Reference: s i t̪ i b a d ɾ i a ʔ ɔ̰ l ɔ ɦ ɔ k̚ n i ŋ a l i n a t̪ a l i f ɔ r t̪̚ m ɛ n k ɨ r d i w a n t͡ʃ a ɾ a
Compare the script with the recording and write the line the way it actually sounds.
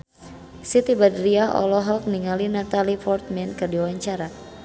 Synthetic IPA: s i t̪ i b a d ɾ i a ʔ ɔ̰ l ɔ ɦ ɔ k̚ n i ŋ a l i n a t̪ a l i f ɔ r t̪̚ m ɛ n k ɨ r d i w a ɲ t͡ʃ a ɾ a

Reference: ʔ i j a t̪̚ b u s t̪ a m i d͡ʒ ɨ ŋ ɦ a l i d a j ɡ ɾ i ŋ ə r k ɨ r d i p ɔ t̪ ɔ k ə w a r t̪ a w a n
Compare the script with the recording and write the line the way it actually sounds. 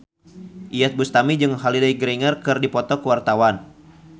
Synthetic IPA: ʔ i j a t̪̚ b u s t̪ a m i d͡ʒ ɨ ŋ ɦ a l i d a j ɡ ɾ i ŋ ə r k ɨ r d i p ɔ t̪ ɔ k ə w a r t̪ a w a n

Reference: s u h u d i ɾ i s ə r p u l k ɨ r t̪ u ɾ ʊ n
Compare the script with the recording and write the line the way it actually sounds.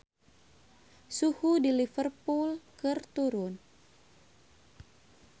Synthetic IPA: s u h u d i l i f ə r p u l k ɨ r t̪ u ɾ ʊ n

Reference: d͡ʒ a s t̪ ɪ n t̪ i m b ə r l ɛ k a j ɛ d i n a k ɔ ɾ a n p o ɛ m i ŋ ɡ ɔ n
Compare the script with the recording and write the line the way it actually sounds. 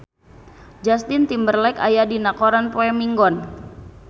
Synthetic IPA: d͡ʒ a s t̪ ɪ n t̪ i m b ə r l ɛ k a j a d i n a k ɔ ɾ a n p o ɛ m i ŋ ɡ ɔ n

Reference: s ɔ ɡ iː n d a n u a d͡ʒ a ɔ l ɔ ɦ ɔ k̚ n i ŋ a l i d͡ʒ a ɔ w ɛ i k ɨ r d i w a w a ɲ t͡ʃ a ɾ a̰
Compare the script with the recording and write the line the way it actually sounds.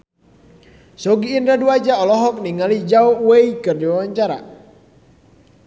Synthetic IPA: s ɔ ɡ iː n d a d u a d͡ʒ a ɔ l ɔ ɦ ɔ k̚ n i ŋ a l i d͡ʒ a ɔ w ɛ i k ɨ r d i w a w a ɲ t͡ʃ a ɾ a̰

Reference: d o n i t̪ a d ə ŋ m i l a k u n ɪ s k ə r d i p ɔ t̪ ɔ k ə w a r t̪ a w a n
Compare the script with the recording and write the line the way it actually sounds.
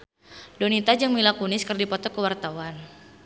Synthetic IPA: d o n i t̪ a d͡ʒ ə ŋ m i l a k u n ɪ s k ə r d i p ɔ t̪ ɔ k ə w a r t̪ a w a n

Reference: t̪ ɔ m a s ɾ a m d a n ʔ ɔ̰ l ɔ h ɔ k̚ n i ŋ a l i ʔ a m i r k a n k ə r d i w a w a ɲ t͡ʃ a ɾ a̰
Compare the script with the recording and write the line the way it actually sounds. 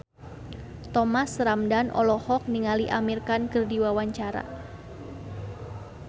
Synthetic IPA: t̪ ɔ m a s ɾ a m d a n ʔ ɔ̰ l ɔ h ɔ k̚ n i ŋ a l i ʔ a m i r k a n k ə r d i w a w a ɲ t͡ʃ a ɾ a̰

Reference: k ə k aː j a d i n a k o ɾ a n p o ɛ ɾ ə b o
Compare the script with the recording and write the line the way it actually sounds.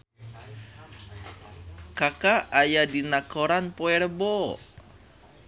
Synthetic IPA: k a k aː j a d i n a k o ɾ a n p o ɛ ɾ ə b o

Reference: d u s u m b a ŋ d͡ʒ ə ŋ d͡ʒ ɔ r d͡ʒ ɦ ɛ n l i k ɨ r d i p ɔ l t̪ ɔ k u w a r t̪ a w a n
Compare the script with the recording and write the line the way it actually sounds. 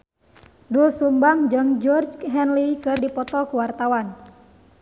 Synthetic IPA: d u s u m b a ŋ d͡ʒ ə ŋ d͡ʒ ɔ r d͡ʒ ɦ ɛ n l i k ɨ r d i p ɔ t̪ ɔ k u w a r t̪ a w a n

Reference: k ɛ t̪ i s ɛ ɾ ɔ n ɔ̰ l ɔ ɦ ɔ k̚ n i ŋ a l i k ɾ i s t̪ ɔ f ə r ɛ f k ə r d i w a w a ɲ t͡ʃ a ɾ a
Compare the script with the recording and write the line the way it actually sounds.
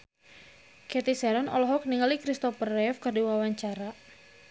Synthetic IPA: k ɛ t̪ i s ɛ ɾ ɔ n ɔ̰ l ɔ ɦ ɔ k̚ n i ŋ a l i k ɾ i s t̪ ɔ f ə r ɛ f k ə r d i w a w a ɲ t͡ʃ a ɾ a

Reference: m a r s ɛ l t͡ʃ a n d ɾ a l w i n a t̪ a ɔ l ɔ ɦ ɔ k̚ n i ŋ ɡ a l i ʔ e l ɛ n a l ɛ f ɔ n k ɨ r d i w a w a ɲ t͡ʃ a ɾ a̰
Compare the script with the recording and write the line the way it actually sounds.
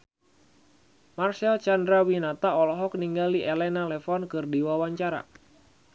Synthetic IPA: m a r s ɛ l t͡ʃ a n d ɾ a w i n a t̪ a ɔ l ɔ ɦ ɔ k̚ n i ŋ ɡ a l i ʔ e l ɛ n a l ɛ f ɔ n k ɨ r d i w a w a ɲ t͡ʃ a ɾ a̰

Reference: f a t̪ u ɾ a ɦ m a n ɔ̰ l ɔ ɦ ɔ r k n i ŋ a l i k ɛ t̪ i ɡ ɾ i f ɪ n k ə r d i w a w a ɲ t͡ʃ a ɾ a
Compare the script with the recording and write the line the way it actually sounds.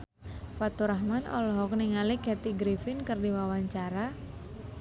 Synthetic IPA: f a t̪ u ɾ a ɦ m a n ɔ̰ l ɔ ɦ ɔ k n i ŋ a l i k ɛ t̪ i ɡ ɾ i f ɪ n k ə r d i w a w a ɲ t͡ʃ a ɾ a

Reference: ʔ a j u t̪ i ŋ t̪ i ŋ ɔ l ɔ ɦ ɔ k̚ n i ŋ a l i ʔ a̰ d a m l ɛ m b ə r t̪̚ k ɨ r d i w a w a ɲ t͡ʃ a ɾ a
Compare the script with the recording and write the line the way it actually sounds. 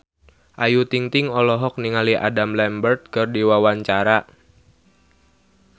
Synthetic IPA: ʔ a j u t̪ i ŋ t̪ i ŋ ɔ l ɔ ɦ ɔ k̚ n i ŋ a l i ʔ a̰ d a m l ɛ m b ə r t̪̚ k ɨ r d i w a w a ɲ t͡ʃ a ɾ a

